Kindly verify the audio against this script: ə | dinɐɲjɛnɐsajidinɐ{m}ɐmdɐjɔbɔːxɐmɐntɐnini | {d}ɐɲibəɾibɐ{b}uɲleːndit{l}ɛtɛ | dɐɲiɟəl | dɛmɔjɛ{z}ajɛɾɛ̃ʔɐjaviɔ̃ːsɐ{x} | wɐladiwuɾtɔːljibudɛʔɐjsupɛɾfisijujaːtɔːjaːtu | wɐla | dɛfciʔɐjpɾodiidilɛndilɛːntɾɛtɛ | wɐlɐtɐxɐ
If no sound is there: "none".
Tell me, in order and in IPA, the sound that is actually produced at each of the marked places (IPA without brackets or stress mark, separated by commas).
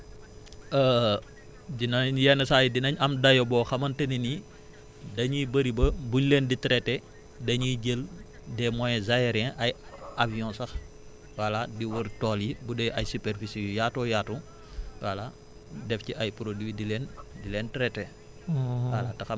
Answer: ɲ, d, b, ɾ, z, x